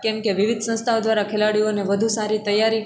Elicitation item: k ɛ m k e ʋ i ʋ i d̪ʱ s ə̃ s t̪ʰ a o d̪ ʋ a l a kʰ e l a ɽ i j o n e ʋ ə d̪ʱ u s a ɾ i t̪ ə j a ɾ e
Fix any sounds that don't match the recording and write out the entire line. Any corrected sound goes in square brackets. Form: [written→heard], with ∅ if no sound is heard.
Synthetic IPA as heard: k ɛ m k e ʋ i ʋ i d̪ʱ s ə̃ s t̪ʰ a o d̪ ʋ a [l→ɾ] a kʰ e l a ɽ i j o n e ʋ ə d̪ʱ u s a ɾ i t̪ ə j a ɾ [e→i]

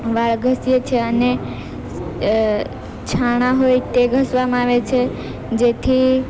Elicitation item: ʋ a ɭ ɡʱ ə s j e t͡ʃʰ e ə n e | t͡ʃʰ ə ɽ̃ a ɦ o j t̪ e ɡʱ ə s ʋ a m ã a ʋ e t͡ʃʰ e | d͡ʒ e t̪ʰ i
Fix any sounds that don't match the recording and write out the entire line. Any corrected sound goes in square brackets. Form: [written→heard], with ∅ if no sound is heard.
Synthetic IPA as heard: ʋ a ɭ ɡʱ ə s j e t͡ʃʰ e ə n e | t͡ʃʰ [ə→a] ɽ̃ a ɦ o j t̪ e ɡʱ ə s ʋ a m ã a ʋ e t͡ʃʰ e | d͡ʒ e t̪ʰ i

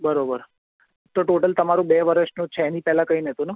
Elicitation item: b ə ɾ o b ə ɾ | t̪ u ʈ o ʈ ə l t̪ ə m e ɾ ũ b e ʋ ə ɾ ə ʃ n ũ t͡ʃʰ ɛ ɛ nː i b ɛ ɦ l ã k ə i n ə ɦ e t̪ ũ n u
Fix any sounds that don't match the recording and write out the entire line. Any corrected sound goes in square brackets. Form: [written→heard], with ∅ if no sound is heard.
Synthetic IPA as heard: b ə ɾ o b ə ɾ | t̪ [u→o] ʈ o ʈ ə l t̪ ə m [e→a] ɾ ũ b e ʋ ə ɾ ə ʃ n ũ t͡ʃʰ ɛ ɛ [nː→n] i [b→p] ɛ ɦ l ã k ə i n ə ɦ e t̪ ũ n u

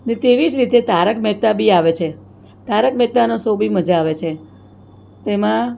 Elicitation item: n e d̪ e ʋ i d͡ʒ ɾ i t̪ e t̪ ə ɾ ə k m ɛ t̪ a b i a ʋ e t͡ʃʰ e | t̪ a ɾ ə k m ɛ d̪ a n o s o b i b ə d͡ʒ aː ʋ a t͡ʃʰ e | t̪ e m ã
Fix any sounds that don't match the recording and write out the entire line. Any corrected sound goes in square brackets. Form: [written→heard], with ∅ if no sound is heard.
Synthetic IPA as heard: n e [d̪→t̪] e ʋ i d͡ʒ ɾ i t̪ e t̪ [ə→a] ɾ ə k m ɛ t̪ a b i a ʋ e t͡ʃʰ e | t̪ a ɾ ə k m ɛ [d̪→t̪] a n o s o b i [b→m] ə d͡ʒ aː ʋ [a→e] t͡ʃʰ e | t̪ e m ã

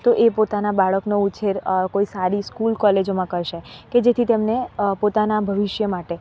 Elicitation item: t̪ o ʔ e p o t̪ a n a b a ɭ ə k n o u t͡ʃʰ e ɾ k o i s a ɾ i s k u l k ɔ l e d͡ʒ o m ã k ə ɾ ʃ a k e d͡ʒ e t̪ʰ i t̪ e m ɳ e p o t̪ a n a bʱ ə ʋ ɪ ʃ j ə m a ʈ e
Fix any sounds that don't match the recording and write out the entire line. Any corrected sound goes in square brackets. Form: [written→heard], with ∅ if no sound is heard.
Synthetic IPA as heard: t̪ o ʔ e p o t̪ a n a b a ɭ ə k n o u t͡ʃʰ e ɾ k o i s a ɾ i s k u l k ɔ l e d͡ʒ o m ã k ə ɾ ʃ [a→e] k e d͡ʒ e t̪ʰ i t̪ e m [ɳ→n] e p o t̪ a n a bʱ ə ʋ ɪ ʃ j ə m a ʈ e

